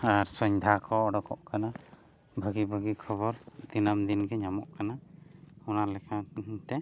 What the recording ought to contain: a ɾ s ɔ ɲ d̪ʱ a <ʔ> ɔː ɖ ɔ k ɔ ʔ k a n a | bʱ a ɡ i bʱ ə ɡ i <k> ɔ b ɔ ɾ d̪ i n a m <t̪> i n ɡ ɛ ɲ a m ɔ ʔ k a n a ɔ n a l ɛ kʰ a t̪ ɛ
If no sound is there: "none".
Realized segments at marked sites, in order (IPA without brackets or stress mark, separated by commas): k, kʰ, d̪